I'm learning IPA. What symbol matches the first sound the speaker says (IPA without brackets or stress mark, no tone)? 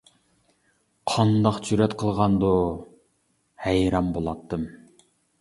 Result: qʰ